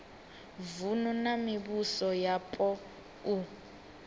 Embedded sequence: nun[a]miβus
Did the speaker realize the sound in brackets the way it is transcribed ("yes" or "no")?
yes